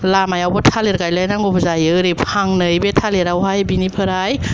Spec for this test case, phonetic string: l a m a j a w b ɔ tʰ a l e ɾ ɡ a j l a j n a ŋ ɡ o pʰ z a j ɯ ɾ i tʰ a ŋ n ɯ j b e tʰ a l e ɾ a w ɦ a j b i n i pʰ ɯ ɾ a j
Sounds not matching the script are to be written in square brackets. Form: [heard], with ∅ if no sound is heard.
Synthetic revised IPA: l a m a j a w b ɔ tʰ a l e ɾ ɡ a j l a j n a ŋ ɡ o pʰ z a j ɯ ɾ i [pʰ] a ŋ n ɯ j b e tʰ a l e ɾ a w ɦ a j b i n i pʰ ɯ ɾ a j